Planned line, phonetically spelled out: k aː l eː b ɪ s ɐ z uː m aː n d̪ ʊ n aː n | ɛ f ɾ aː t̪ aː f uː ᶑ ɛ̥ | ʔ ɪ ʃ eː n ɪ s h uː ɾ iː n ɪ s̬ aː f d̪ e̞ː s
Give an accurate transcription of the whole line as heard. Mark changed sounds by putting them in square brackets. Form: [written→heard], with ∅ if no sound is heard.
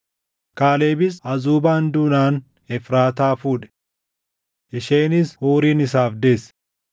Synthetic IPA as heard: k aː l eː b ɪ s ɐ z uː [m→b] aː n d̪ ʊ n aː n | ɛ f ɾ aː t̪ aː f uː ᶑ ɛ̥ | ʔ ɪ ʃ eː n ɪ s h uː ɾ iː n ɪ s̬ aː f d̪ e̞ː s